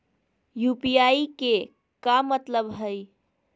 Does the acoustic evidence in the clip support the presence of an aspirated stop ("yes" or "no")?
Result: no